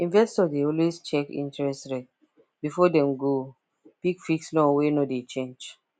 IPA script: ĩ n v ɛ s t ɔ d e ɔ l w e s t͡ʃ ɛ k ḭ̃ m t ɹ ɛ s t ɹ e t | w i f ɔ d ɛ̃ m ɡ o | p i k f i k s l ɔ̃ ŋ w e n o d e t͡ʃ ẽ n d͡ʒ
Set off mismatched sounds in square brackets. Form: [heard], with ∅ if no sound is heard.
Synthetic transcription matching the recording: ĩ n v ɛ s t ɔ d e ɔ l w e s t͡ʃ ɛ k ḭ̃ [n] t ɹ ɛ s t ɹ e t | [b] i f ɔ d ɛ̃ m ɡ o | p i k f i k s l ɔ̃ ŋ w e n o d e t͡ʃ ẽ n d͡ʒ